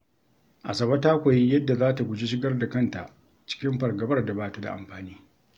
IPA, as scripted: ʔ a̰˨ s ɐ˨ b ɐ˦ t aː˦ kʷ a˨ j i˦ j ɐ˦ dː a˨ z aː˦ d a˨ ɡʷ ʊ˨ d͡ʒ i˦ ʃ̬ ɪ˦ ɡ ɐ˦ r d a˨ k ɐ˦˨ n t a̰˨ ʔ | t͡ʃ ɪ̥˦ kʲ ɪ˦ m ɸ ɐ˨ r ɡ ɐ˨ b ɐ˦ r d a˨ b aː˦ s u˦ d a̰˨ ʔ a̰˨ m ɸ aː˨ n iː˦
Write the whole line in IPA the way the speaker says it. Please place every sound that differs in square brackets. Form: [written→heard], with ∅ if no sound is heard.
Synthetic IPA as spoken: ʔ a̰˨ s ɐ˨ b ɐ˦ t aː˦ kʷ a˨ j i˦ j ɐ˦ dː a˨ z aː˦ [d→t] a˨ ɡʷ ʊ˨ d͡ʒ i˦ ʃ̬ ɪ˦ ɡ ɐ˦ r d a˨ k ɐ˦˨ n t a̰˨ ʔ | t͡ʃ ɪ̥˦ kʲ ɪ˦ m ɸ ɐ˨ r ɡ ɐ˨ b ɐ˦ r d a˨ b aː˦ [s→t] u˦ d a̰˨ ʔ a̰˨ m ɸ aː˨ n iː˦